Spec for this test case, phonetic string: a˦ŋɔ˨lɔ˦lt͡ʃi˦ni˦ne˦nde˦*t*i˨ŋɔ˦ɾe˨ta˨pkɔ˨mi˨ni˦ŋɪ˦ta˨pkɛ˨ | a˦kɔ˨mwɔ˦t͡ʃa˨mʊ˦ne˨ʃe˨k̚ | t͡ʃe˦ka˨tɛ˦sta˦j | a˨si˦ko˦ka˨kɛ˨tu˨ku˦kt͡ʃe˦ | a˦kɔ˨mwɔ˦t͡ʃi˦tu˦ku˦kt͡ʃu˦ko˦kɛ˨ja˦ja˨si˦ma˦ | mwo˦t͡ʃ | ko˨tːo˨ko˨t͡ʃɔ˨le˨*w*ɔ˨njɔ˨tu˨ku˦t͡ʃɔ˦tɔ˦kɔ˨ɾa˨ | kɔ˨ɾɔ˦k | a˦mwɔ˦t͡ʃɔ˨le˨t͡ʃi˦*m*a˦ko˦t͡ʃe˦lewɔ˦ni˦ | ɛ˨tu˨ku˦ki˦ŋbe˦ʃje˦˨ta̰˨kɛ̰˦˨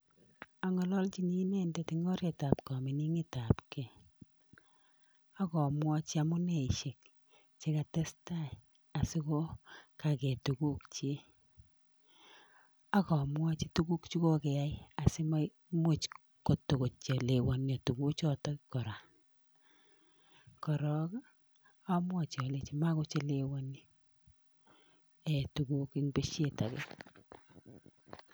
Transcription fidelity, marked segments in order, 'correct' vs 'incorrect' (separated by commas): correct, correct, correct